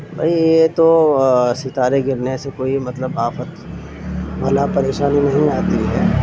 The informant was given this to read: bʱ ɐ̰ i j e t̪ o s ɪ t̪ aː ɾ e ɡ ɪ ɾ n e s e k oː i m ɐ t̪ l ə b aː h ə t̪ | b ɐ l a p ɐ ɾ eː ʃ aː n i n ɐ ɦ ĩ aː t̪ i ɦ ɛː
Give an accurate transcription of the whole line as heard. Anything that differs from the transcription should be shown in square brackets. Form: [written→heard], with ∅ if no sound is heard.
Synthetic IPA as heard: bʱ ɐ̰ i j e t̪ o s ɪ t̪ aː ɾ e ɡ ɪ ɾ n e s e k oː i m ɐ t̪ l ə b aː [h→f] ə t̪ | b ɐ l a p ɐ ɾ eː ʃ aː n i n ɐ ɦ ĩ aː t̪ i ɦ ɛː

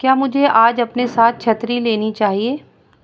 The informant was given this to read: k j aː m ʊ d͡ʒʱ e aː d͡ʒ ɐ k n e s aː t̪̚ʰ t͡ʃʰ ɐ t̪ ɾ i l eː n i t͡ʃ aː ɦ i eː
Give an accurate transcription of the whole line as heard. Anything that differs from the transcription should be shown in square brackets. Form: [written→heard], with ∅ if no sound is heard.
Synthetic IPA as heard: k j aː m ʊ d͡ʒʱ e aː d͡ʒ ɐ [k→p] n e s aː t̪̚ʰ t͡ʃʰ ɐ t̪ ɾ i l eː n i t͡ʃ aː ɦ i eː

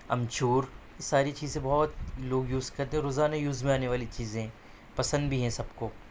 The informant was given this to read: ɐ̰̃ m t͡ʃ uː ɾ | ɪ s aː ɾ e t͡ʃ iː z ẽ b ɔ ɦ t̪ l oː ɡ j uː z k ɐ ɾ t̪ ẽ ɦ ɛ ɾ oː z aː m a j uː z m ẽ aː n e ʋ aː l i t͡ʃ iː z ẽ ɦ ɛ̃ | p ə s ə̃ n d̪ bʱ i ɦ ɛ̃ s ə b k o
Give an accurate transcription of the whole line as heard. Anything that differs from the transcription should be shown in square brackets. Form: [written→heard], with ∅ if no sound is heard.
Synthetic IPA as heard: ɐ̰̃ m t͡ʃ uː ɾ | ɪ s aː ɾ [e→i] t͡ʃ iː z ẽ b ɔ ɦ t̪ l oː ɡ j uː z k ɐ ɾ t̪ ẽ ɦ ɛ ɾ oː z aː [m→n] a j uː z m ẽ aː n e ʋ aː l i t͡ʃ iː z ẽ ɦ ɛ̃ | p [ə→ɐ] s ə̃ n d̪ bʱ i ɦ ɛ̃ s [ə→ɐ] b k o

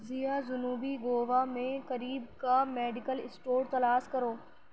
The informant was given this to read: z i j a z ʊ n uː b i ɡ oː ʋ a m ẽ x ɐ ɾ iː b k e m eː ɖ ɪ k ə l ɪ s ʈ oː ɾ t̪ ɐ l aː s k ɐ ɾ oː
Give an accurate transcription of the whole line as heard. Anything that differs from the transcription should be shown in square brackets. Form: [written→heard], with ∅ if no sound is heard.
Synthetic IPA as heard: z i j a z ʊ n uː b i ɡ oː ʋ a m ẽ [x→k] ɐ ɾ iː b k [e→a] m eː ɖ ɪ k ə l ɪ s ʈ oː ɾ t̪ ɐ l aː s k ɐ ɾ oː

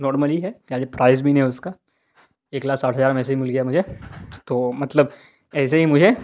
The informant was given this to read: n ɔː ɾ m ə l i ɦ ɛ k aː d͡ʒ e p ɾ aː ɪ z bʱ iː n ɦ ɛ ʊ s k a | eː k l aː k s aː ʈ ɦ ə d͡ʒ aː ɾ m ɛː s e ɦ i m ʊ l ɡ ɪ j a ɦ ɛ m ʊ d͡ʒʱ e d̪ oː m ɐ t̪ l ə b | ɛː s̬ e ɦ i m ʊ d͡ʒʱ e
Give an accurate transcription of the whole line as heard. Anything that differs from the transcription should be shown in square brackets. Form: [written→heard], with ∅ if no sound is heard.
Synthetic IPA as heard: n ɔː ɾ m ə l i ɦ ɛ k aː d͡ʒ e p ɾ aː ɪ z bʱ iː n ɦ ɛ ʊ s k a | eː k l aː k s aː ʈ ɦ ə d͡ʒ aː ɾ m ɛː s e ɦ i m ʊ l ɡ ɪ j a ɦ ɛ m ʊ d͡ʒʱ e [d̪→t̪] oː m ɐ t̪ l ə b | ɛː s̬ e ɦ i m ʊ d͡ʒʱ e

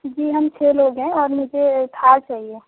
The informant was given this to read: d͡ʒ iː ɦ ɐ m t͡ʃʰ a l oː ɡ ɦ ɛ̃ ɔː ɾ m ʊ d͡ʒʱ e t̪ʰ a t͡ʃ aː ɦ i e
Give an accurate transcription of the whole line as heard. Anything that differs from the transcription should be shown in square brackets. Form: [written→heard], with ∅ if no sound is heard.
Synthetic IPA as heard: d͡ʒ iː ɦ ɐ m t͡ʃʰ [a→e] l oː ɡ ɦ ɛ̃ ɔː ɾ m ʊ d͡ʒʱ e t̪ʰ a t͡ʃ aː ɦ i e

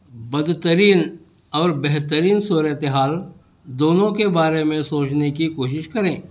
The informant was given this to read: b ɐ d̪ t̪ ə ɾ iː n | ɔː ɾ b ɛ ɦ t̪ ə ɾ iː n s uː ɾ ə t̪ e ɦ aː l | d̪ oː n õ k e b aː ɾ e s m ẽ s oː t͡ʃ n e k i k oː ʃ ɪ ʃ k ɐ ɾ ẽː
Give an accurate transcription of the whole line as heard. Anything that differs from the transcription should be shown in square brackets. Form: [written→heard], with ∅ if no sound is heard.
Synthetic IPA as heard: b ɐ d̪ t̪ ə ɾ iː n | ɔː ɾ b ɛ ɦ t̪ ə ɾ iː n s uː ɾ ə t̪ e ɦ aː l | d̪ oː n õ k e b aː ɾ e [s→∅] m ẽ s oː t͡ʃ n e k i k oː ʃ ɪ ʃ k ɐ ɾ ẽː

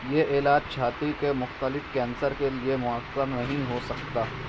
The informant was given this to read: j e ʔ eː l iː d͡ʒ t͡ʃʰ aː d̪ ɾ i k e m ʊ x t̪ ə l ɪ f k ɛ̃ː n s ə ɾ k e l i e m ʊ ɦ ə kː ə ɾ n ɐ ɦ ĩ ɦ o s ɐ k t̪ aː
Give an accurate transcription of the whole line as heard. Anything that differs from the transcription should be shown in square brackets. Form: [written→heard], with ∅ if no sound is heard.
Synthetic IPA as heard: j e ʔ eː l [iː→aː] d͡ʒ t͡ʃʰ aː [d̪→t̪] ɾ i k e m ʊ x t̪ ə l ɪ f k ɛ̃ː n s ə ɾ k e l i e m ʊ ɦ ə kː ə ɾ n ɐ ɦ ĩ ɦ o s ɐ k t̪ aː

